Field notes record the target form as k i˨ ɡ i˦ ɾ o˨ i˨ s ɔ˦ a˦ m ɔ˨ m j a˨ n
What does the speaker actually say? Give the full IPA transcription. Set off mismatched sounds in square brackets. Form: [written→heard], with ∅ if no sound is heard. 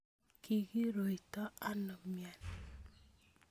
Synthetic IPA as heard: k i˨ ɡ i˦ ɾ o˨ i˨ [s→t] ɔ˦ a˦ [m→n] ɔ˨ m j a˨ n